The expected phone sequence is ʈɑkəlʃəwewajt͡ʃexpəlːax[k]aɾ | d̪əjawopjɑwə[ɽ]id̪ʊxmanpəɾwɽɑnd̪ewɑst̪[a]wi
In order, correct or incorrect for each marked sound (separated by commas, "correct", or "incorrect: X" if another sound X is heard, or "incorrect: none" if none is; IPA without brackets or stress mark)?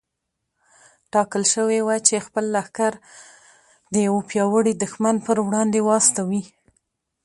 correct, correct, correct